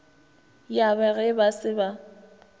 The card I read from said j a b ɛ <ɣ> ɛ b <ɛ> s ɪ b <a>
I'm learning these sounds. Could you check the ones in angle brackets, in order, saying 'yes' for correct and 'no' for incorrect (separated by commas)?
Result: yes, no, yes